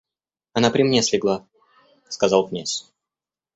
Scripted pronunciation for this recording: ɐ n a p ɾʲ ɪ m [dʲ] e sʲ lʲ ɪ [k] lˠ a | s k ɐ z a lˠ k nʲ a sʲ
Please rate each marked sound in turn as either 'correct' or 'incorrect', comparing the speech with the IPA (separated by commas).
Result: incorrect, incorrect